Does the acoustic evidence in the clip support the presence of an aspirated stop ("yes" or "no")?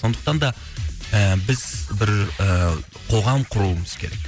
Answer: yes